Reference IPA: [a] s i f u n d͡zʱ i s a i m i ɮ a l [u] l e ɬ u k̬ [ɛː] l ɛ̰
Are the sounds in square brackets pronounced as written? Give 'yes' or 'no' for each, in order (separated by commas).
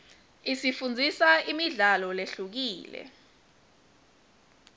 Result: no, no, no